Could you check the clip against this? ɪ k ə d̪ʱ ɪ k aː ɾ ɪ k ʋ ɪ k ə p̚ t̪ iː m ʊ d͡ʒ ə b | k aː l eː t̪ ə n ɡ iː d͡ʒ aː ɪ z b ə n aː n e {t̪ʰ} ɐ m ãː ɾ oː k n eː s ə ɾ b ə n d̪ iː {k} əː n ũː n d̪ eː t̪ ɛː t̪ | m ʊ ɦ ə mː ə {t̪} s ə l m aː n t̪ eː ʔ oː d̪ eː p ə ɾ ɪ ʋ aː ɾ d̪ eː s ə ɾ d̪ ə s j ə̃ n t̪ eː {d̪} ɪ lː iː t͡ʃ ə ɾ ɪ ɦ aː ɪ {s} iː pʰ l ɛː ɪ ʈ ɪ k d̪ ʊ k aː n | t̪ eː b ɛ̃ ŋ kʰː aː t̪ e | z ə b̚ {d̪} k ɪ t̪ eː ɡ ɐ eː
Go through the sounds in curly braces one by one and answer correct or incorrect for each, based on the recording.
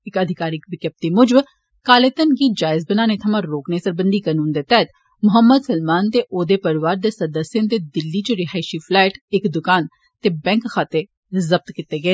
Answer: correct, correct, incorrect, correct, incorrect, incorrect

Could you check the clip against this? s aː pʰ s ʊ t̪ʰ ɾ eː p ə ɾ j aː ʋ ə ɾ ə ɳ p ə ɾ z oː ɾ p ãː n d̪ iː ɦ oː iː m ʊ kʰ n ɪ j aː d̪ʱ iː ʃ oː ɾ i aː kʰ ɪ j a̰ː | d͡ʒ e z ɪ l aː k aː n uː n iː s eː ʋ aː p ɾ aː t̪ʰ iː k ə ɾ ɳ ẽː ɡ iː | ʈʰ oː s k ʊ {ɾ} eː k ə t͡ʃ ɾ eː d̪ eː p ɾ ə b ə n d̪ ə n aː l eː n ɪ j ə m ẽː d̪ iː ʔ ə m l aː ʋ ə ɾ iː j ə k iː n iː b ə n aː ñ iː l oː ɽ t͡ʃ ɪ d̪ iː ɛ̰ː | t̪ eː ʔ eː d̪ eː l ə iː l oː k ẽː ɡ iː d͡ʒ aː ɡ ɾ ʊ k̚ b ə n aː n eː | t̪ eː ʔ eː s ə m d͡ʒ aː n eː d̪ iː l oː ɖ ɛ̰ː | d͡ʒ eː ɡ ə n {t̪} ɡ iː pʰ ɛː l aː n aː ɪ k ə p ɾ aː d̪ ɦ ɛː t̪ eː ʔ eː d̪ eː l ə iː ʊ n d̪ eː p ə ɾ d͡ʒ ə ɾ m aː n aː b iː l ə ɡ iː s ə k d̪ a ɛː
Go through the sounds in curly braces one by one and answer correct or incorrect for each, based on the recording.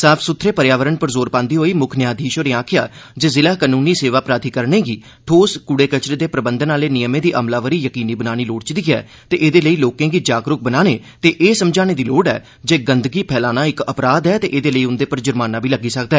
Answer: incorrect, incorrect

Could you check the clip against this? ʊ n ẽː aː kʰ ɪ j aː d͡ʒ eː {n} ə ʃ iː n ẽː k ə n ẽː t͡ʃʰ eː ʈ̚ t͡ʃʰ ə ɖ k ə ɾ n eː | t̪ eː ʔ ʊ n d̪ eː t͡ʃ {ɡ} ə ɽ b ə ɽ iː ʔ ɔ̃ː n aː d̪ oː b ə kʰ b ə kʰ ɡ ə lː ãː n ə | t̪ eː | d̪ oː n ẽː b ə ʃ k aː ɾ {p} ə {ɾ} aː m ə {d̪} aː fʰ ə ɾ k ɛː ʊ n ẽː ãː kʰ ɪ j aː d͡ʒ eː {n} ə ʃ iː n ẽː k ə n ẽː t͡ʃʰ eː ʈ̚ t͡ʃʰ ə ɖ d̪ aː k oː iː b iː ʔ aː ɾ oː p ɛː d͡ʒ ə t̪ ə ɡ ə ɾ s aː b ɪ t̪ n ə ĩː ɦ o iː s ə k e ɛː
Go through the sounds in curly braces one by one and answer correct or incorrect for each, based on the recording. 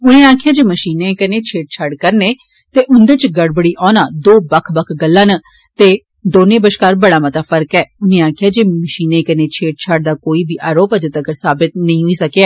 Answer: incorrect, correct, incorrect, incorrect, incorrect, incorrect

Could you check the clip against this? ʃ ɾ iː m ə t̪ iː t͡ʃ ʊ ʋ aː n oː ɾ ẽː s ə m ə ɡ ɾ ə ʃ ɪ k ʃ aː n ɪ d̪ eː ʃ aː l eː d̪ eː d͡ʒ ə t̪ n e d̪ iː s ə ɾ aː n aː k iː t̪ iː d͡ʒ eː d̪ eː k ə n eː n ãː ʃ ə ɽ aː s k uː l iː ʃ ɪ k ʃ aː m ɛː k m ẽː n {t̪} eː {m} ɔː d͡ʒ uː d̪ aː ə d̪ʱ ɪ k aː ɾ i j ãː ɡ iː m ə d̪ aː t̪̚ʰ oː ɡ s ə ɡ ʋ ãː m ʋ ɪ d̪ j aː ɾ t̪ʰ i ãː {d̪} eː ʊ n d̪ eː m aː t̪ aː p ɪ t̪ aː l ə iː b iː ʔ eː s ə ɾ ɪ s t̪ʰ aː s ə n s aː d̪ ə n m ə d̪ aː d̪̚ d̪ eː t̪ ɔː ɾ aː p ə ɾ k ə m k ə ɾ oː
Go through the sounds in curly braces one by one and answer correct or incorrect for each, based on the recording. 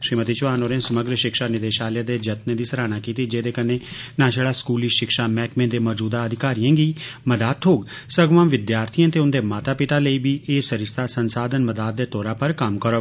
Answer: incorrect, correct, incorrect

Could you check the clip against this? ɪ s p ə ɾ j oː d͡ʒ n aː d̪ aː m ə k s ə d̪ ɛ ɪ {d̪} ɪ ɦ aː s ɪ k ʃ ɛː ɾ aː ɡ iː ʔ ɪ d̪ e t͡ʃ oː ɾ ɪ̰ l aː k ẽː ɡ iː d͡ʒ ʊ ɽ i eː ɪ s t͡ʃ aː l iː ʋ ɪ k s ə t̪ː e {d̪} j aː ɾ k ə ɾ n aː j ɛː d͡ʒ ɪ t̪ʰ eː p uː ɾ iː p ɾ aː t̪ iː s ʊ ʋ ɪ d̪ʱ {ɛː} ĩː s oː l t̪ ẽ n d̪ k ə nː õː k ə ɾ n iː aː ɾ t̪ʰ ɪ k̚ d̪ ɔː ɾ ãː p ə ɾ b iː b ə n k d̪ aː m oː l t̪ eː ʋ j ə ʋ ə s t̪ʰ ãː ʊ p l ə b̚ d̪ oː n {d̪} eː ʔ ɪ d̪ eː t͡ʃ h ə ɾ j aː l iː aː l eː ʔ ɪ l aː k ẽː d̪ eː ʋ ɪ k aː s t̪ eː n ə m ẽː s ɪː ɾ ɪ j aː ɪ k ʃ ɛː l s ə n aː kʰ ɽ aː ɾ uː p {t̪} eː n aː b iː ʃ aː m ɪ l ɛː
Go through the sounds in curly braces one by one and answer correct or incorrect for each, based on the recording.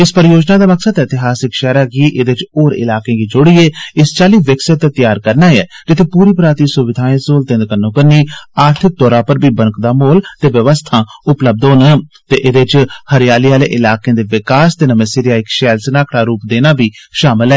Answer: incorrect, incorrect, incorrect, incorrect, incorrect

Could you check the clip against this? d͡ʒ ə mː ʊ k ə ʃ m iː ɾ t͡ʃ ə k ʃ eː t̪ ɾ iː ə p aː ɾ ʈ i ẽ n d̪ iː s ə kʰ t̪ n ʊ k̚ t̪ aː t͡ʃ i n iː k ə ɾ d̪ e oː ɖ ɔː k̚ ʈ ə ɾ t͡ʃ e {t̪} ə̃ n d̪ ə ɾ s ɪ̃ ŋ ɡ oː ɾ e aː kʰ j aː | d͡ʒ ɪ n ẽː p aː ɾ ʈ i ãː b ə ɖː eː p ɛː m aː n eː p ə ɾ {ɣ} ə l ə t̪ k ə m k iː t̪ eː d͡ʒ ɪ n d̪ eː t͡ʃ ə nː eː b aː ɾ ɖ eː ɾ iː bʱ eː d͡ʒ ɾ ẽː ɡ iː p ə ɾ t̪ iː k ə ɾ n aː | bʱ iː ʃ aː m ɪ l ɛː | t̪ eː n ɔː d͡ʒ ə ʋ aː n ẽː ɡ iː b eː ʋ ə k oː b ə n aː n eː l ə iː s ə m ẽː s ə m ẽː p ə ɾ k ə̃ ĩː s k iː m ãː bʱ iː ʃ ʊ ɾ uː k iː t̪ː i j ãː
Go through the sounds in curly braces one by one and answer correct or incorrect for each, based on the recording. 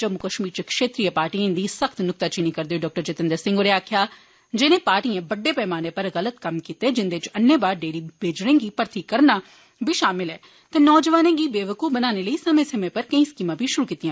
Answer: correct, correct

